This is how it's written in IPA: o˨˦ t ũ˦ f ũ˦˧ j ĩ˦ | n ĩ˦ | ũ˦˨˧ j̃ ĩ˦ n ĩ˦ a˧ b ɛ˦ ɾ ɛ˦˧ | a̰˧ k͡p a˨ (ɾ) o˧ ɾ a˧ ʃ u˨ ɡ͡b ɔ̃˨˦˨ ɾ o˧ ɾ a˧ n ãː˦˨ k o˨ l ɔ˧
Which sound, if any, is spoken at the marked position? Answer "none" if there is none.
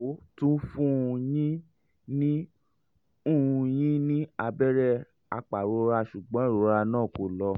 ɾ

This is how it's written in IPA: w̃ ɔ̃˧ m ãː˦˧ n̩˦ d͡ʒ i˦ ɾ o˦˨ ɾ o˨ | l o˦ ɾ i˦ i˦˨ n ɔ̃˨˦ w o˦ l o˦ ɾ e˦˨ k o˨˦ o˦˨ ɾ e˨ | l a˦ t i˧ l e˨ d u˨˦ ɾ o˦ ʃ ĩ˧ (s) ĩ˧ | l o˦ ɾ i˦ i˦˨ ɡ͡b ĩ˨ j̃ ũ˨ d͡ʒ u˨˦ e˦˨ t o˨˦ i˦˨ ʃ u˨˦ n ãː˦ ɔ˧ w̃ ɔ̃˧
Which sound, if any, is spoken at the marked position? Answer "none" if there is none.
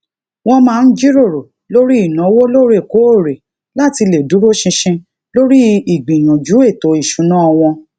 ʃ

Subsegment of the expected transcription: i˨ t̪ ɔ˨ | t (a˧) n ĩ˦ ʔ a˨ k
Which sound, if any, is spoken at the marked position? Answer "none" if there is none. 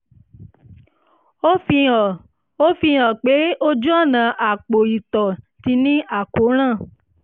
i˧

